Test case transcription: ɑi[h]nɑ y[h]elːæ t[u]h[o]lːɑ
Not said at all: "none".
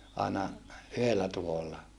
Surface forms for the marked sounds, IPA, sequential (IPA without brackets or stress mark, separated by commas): none, h, u, o